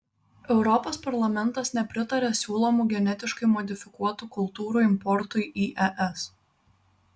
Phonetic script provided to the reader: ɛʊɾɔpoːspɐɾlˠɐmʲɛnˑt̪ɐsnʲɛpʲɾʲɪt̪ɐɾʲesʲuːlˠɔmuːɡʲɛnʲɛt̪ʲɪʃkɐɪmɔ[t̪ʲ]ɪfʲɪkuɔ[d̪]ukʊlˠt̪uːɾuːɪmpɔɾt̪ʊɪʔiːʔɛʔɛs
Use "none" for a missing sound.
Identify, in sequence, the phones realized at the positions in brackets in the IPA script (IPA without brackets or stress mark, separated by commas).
d̪ʲ, t̪